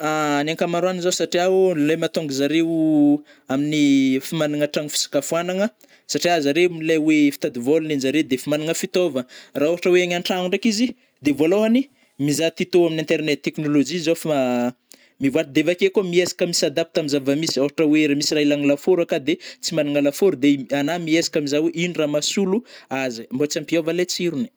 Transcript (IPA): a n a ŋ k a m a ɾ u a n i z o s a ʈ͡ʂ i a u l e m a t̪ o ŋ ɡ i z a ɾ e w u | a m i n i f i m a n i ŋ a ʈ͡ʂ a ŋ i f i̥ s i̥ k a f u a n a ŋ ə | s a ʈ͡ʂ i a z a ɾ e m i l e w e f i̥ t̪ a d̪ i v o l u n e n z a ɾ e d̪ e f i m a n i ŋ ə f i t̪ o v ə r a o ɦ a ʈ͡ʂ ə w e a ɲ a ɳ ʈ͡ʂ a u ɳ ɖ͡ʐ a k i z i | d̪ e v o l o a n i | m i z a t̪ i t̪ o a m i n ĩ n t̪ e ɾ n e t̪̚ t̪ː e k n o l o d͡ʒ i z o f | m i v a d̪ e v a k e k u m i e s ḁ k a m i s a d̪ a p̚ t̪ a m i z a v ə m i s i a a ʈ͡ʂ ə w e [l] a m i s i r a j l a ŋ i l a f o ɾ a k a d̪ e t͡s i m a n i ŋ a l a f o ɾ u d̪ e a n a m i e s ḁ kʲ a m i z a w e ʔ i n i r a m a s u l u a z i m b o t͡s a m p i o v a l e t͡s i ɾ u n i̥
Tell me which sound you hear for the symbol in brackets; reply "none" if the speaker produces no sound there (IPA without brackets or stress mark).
ɾ